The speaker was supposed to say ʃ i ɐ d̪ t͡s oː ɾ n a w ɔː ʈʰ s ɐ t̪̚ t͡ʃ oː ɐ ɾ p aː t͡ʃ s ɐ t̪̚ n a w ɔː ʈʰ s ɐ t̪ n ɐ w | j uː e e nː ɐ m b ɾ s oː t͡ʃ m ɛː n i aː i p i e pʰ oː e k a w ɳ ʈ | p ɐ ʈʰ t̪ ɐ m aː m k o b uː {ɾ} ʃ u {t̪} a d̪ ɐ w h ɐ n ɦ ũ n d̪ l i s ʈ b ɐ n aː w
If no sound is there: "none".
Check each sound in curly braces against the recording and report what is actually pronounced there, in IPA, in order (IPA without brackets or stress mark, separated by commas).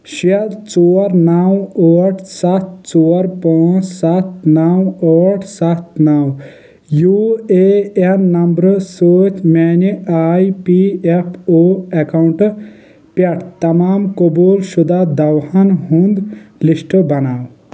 l, d̪